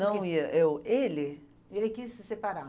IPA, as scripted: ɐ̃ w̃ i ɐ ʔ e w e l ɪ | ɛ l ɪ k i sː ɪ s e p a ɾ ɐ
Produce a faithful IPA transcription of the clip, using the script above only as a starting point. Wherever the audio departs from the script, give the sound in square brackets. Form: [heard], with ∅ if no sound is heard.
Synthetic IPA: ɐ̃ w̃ i ɐ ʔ e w e l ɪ | [e] l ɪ k i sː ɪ s e p a ɾ [a]